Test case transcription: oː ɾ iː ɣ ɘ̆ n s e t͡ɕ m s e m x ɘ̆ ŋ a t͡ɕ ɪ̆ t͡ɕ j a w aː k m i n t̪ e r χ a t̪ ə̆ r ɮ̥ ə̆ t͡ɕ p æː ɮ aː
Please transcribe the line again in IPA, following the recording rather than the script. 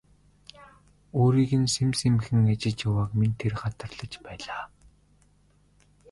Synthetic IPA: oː ɾ iː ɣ ɘ̆ n s e m s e m x ɘ̆ ŋ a t͡ɕ ɪ̆ t͡ɕ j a w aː k m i n t̪ʰ e r χ a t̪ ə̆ r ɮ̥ ə̆ t͡ɕ p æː ɮ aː